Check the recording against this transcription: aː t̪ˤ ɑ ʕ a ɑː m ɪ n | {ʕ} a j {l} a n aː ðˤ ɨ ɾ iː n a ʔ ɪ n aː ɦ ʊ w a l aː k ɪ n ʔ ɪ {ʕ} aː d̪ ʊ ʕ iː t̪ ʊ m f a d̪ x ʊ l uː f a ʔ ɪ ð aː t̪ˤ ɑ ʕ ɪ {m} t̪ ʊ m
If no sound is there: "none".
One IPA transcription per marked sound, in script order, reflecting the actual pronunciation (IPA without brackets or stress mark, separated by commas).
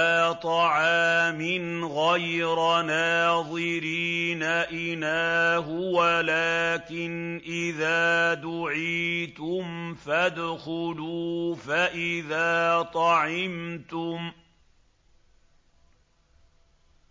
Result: ɣ, ɾ, ð, m